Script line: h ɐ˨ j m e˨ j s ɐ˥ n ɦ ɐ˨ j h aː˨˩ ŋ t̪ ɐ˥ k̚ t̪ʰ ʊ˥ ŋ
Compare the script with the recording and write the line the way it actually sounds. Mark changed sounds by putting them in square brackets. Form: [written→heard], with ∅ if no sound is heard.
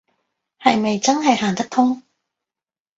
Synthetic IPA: h ɐ˨ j m e˨ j [s→t͡s] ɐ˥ n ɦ ɐ˨ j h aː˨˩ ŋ t̪ ɐ˥ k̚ t̪ʰ ʊ˥ ŋ

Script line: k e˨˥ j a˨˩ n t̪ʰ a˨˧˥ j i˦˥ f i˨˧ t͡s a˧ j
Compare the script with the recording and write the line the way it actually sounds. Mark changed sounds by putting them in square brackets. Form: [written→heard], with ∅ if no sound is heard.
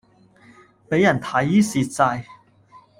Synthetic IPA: [k→p] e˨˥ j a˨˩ n t̪ʰ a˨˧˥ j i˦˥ [f→s] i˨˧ t͡s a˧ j

